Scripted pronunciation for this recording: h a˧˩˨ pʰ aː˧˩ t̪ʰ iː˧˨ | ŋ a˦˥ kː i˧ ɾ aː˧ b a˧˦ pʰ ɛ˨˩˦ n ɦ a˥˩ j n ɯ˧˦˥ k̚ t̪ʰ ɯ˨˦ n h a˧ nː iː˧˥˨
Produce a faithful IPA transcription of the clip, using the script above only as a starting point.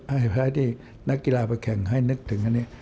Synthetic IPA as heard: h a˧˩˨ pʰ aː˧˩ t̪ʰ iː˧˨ | n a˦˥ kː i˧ l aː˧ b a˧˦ kʰ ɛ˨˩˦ ŋ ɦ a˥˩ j n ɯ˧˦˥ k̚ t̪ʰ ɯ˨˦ ŋ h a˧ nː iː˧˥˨